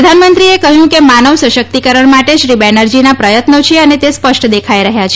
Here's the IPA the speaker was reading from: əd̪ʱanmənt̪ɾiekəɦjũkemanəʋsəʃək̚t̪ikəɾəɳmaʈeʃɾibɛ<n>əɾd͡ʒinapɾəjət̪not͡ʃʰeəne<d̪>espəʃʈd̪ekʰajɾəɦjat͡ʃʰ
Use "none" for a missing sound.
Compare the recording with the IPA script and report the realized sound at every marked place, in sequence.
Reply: n, t̪

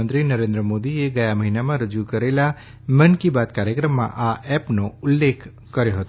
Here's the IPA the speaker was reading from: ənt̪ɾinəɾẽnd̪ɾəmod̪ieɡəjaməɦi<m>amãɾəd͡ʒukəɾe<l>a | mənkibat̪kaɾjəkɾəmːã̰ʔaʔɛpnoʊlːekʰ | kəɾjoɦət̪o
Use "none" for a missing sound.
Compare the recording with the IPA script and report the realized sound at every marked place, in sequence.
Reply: n, l

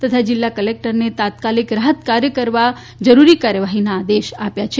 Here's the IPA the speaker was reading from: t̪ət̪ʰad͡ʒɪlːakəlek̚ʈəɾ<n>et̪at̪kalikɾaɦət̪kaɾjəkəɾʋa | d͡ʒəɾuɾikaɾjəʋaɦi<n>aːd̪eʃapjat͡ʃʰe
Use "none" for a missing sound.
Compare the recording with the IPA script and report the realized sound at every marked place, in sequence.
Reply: n, n

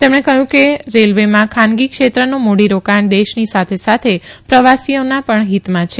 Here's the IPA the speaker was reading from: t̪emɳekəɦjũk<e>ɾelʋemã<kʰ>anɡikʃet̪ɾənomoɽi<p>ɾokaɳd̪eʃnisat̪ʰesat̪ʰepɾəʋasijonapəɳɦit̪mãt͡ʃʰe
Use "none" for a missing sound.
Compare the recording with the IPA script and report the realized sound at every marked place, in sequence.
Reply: e, kʰ, none

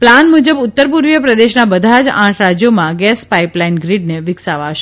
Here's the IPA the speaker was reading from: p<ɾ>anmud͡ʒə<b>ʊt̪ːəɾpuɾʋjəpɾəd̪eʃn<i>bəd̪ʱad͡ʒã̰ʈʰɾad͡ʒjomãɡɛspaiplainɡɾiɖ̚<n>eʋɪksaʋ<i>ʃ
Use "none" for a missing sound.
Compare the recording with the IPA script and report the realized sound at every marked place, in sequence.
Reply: l, b, a, n, a

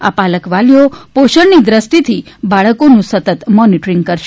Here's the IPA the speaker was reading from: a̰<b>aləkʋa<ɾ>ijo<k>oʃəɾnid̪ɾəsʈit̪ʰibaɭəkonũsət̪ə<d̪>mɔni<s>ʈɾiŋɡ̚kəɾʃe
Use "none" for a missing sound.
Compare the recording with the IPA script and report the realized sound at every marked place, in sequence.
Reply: p, l, p, t̪, none

